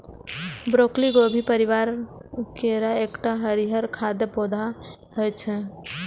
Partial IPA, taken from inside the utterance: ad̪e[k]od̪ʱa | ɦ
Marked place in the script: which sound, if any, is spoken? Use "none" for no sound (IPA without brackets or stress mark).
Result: p